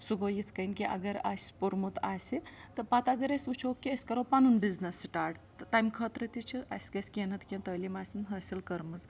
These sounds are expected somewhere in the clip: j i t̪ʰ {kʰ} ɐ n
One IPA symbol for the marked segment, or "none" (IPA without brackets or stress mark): k